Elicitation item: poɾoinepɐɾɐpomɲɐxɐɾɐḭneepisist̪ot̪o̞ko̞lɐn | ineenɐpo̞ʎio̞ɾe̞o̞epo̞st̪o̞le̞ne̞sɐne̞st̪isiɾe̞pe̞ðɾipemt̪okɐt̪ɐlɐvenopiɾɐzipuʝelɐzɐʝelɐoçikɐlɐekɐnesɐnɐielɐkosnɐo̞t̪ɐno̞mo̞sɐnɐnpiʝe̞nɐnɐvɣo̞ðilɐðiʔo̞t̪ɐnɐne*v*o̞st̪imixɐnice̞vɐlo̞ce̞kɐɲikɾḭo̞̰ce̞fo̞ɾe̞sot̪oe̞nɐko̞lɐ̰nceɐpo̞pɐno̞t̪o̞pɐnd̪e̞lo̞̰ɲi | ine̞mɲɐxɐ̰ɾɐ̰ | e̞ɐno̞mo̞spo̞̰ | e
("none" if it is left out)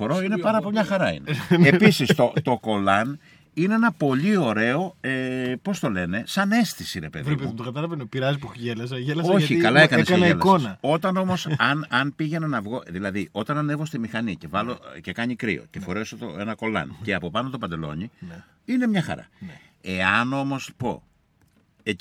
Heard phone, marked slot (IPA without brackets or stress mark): v